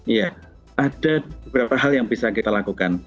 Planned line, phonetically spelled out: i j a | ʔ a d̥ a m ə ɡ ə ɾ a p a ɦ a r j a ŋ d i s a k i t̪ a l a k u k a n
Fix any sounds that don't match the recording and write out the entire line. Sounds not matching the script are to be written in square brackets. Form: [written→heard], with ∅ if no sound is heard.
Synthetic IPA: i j a | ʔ a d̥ a [m→b] ə [ɡ→b] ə ɾ a p a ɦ a [r→l] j a ŋ [d→b] i s a k i t̪ a l a k u k a n